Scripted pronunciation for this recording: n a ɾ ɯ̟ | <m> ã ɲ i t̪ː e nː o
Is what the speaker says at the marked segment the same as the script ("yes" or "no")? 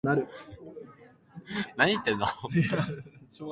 no